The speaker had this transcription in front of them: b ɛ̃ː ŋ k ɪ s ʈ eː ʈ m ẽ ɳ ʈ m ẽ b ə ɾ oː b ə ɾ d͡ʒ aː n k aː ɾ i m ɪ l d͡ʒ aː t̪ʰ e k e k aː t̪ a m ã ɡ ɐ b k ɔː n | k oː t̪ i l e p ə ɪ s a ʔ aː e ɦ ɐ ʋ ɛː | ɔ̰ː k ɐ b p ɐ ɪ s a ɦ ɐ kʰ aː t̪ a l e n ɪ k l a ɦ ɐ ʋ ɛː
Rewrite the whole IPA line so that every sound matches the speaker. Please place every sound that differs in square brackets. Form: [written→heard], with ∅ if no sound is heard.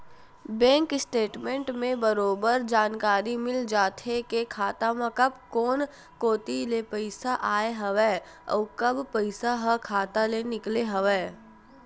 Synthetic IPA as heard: b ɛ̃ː ŋ k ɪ s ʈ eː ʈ m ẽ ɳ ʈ m ẽ b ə ɾ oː b ə ɾ d͡ʒ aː n k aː ɾ i m ɪ l d͡ʒ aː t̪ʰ e k e [k→kʰ] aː t̪ a m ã [ɡ→k] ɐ b k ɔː n | k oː t̪ i l e p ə ɪ s a ʔ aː e ɦ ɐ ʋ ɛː | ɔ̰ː k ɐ b p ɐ ɪ s a ɦ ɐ kʰ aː t̪ a l e n ɪ k l [a→e] ɦ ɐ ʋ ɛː

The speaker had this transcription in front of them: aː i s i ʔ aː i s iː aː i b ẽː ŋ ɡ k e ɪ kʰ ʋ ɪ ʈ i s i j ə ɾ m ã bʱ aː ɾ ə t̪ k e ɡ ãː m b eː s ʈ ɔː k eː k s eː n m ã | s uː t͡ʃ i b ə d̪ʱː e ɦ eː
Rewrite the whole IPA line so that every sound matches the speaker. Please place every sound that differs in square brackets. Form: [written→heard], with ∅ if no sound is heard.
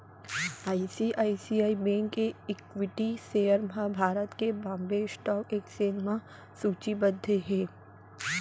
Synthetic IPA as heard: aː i s i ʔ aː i s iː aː i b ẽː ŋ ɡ k e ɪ [kʰ→k] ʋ ɪ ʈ i s [i→e] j ə ɾ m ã bʱ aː ɾ ə t̪ k e [ɡ→b] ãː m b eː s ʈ ɔː k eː k s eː n m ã | s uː t͡ʃ i b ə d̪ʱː e ɦ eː

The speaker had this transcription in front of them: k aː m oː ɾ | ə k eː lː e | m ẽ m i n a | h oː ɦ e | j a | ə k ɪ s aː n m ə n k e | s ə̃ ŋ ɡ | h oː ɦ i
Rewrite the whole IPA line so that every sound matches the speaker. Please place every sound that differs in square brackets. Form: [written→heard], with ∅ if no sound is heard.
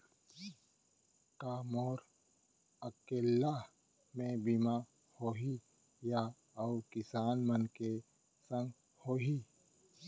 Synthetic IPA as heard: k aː m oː ɾ | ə k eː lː [e→a] | m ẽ [m→b] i [n→m] a | h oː ɦ [e→i] | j a | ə k ɪ s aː n m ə n k e | s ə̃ ŋ ɡ | h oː ɦ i

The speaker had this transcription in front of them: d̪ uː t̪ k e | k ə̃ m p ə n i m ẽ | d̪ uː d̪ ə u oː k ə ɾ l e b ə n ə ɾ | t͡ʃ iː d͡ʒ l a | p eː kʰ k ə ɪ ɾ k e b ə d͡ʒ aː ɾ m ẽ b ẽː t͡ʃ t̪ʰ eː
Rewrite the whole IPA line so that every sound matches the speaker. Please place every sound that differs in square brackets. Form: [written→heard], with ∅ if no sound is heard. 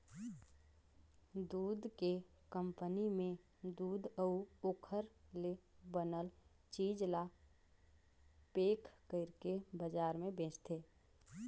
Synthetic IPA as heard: d̪ uː [t̪→d̪] k e | k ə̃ m p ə n i m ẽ | d̪ uː d̪ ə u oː [k→kʰ] ə ɾ l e b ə n ə [ɾ→l] | t͡ʃ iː d͡ʒ l a | p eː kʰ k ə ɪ ɾ k e b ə d͡ʒ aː ɾ m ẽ b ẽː t͡ʃ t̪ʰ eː

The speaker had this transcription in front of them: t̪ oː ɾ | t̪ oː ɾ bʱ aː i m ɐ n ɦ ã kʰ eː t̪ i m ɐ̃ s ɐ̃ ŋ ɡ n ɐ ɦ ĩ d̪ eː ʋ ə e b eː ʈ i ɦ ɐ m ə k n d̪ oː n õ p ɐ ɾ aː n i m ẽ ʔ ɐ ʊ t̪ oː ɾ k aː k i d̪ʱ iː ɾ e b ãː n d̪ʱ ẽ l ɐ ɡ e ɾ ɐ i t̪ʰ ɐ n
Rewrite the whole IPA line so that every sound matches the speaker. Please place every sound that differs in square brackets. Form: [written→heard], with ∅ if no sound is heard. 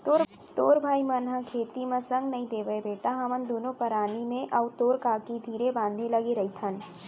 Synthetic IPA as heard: t̪ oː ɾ | t̪ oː ɾ bʱ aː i m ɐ n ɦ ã kʰ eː t̪ i m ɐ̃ s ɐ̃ ŋ ɡ n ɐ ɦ ĩ d̪ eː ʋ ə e b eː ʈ [i→a] ɦ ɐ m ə [k→∅] n d̪ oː n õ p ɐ ɾ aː n i m ẽ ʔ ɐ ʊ t̪ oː ɾ k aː k i d̪ʱ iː ɾ e b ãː n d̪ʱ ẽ l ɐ ɡ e ɾ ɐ i t̪ʰ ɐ n

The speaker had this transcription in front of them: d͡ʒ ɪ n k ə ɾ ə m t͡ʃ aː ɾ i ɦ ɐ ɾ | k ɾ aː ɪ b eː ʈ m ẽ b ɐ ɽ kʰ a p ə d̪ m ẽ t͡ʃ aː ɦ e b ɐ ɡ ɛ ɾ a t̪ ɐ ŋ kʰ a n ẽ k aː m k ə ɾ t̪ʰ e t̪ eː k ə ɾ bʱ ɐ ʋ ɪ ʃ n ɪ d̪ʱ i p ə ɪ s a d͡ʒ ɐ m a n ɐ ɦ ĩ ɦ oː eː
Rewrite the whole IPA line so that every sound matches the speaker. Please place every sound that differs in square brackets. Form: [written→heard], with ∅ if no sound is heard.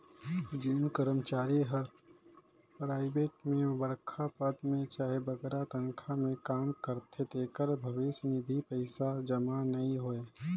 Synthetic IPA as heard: d͡ʒ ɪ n k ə ɾ ə m t͡ʃ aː ɾ i ɦ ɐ ɾ | [k→p] ɾ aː ɪ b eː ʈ m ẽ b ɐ ɽ kʰ a p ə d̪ m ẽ t͡ʃ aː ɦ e b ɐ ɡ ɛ ɾ a t̪ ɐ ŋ kʰ a [n→m] ẽ k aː m k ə ɾ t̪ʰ e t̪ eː k ə ɾ bʱ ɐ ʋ ɪ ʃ n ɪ d̪ʱ i p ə ɪ s a d͡ʒ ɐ m a n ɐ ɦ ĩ ɦ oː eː

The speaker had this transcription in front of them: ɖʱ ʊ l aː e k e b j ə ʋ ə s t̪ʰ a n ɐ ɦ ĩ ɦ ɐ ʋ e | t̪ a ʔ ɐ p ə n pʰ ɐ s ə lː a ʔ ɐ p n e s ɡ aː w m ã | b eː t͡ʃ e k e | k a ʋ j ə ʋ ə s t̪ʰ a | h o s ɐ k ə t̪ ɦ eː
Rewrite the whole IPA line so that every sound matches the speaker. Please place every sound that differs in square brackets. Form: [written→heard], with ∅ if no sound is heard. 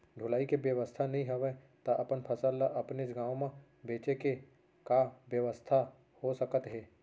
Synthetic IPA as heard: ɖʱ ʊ l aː [e→i] k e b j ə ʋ ə s t̪ʰ a n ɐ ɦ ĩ ɦ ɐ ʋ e | t̪ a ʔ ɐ p ə n pʰ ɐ s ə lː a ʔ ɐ p n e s ɡ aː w m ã | b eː t͡ʃ e k e | k a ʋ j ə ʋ ə s t̪ʰ a | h o s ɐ k ə t̪ ɦ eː

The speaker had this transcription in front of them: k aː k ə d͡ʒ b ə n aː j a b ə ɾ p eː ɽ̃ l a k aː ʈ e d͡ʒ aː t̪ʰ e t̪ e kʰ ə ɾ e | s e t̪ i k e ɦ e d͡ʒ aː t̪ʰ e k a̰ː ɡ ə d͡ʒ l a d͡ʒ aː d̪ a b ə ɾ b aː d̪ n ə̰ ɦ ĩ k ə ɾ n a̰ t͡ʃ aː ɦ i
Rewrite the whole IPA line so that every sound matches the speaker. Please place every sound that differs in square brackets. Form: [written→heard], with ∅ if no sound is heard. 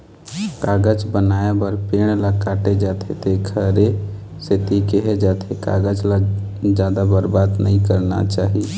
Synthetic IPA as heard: k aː [k→ɡ] ə d͡ʒ b ə n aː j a b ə ɾ p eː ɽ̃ l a k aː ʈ e d͡ʒ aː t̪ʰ e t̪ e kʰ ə ɾ e | s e t̪ i k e ɦ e d͡ʒ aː t̪ʰ e k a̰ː ɡ ə d͡ʒ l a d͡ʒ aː d̪ a b ə ɾ b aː d̪ n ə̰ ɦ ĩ k ə ɾ n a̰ t͡ʃ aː ɦ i

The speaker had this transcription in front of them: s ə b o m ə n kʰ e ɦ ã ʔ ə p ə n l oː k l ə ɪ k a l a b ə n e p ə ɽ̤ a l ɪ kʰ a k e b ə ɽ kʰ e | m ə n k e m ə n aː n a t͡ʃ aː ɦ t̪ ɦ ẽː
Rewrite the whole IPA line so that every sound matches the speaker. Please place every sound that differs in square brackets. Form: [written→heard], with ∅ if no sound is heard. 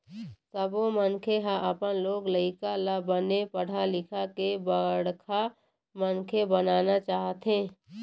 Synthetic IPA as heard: s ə b o m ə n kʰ e ɦ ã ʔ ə p ə n l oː [k→ɡ] l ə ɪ k a l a b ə n e p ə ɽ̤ a l ɪ kʰ a k e b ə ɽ kʰ [e→a] | m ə n [k→kʰ] e [m→b] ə n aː n a t͡ʃ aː ɦ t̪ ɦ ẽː

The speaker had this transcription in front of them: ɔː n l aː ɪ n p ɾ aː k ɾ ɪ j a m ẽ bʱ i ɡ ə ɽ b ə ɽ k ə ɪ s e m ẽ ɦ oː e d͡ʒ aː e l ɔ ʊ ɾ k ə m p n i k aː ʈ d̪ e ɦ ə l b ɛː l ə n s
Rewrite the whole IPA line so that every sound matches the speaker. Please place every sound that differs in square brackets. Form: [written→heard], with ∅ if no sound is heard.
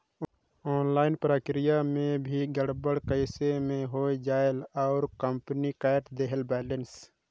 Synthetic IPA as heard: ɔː n l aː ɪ n p ɾ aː k ɾ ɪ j a m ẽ bʱ i ɡ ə ɽ b ə ɽ k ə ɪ s e m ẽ ɦ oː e d͡ʒ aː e l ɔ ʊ ɾ k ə m p n i k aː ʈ d̪ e ɦ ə l b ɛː l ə n s

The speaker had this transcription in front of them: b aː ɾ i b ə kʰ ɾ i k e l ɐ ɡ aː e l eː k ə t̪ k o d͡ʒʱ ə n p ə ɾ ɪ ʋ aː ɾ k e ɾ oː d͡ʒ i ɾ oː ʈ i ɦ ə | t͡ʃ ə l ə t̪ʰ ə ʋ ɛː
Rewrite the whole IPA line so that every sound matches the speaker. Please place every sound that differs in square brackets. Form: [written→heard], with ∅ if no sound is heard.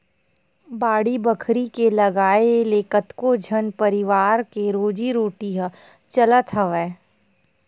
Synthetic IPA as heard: b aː [ɾ→ɽ] i b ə kʰ ɾ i k e l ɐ ɡ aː e l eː k ə t̪ k o d͡ʒʱ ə n p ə ɾ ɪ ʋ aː ɾ k e ɾ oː d͡ʒ i ɾ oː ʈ i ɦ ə | t͡ʃ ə l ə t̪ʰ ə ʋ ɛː

